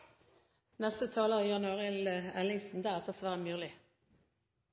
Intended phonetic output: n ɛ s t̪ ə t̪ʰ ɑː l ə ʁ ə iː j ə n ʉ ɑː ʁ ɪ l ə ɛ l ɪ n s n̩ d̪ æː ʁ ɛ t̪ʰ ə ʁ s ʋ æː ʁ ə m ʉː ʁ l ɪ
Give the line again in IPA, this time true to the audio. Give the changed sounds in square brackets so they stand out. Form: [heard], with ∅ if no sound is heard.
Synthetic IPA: n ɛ s t̪ ə t̪ʰ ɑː l ə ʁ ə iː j [ɑ] n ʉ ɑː ʁ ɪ l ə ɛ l ɪ [ŋ] s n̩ d̪ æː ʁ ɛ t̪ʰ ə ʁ s ʋ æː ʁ ə m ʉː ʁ l ɪ